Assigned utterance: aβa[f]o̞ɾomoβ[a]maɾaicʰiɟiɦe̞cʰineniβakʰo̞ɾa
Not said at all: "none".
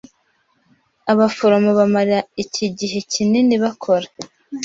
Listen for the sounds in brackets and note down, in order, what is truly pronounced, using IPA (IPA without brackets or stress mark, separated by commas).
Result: f, a